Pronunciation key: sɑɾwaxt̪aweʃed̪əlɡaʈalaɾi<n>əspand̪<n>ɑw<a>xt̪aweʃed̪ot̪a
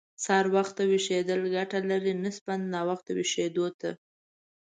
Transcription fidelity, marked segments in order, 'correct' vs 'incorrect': correct, correct, correct

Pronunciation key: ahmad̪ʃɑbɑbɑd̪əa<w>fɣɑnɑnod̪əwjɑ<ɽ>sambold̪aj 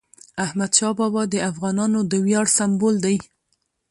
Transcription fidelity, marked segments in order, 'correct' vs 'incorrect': incorrect: none, correct

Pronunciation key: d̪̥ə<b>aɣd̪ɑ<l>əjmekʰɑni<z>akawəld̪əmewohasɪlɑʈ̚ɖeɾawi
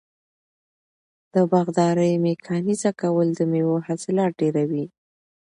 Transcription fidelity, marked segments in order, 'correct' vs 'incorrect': correct, incorrect: ɾ, correct

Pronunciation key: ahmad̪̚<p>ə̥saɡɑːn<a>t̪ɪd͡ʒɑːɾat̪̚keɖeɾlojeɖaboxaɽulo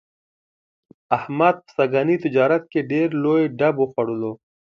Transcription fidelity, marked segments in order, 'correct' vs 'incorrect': correct, incorrect: i

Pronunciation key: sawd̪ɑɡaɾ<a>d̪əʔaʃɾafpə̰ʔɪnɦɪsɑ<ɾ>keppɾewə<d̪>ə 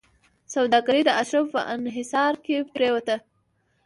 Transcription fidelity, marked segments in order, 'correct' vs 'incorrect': incorrect: i, correct, incorrect: t̪

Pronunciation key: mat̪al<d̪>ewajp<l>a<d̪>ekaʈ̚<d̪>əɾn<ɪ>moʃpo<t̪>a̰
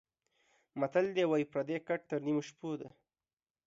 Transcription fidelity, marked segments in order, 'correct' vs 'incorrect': correct, incorrect: ɾ, correct, incorrect: t̪, incorrect: i, incorrect: d̪

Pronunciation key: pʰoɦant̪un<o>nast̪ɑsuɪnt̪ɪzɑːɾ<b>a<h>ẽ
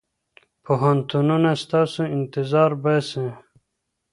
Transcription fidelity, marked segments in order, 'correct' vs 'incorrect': incorrect: u, correct, incorrect: s

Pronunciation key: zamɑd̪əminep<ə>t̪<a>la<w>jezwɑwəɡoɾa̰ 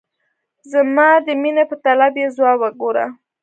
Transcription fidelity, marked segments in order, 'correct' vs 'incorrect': correct, correct, incorrect: b

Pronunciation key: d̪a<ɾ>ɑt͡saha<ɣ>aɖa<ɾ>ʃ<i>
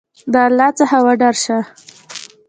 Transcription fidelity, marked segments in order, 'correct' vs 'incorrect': incorrect: l, incorrect: w, correct, incorrect: a

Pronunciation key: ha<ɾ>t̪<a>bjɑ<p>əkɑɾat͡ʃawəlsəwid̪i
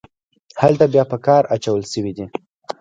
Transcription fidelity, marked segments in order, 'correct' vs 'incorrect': incorrect: l, correct, correct

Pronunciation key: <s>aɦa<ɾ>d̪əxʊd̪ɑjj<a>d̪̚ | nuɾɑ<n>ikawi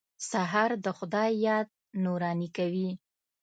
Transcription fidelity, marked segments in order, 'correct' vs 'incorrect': correct, correct, incorrect: ɑ, correct

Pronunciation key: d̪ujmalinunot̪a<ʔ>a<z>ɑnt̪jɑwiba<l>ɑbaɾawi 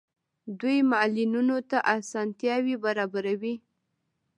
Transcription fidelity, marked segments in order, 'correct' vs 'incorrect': correct, incorrect: s, incorrect: ɾ

